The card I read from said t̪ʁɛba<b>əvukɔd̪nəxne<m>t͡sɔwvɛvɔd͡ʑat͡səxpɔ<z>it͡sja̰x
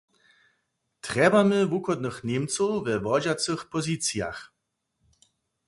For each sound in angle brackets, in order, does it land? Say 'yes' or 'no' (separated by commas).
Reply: no, yes, yes